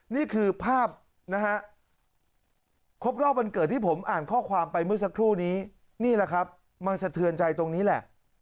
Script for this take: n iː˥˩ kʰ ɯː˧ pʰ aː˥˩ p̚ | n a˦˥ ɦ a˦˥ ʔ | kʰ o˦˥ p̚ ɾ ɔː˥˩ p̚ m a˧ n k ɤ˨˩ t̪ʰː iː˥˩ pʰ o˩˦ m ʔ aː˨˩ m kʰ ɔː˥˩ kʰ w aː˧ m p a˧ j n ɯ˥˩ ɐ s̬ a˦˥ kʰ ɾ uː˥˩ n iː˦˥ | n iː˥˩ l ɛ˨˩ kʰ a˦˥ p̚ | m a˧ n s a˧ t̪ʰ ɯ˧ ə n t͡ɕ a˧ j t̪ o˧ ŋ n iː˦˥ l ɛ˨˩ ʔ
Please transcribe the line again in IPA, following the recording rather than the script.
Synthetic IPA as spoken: n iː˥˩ kʰ ɯː˧ pʰ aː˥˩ p̚ | n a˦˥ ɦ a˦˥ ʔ | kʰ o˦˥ p̚ ɾ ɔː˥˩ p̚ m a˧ n k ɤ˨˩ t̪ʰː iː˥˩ pʰ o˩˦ m ʔ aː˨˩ n kʰ ɔː˥˩ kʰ w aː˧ m p a˧ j m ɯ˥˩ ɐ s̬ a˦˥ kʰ ɾ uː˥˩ n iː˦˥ | n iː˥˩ l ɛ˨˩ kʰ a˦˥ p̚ | m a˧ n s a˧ t̪ʰ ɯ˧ ə n t͡ɕ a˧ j t̪ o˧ ŋ n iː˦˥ l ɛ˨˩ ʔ